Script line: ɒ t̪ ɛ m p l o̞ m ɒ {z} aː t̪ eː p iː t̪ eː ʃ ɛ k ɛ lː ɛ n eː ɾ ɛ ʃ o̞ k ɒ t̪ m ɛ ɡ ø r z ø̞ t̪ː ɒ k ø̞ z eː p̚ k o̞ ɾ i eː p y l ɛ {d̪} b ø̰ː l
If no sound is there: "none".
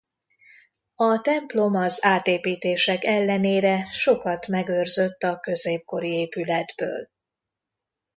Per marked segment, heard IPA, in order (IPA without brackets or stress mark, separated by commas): z, d̪